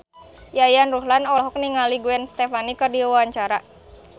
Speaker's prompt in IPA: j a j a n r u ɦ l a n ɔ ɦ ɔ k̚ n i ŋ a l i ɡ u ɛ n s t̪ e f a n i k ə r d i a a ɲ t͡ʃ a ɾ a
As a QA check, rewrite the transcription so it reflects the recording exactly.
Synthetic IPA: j a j a n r u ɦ l a n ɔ ɦ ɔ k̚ n i ŋ a l i ɡ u ɛ n s t̪ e f a n i k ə r d i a a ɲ t͡ʃ a ɾ a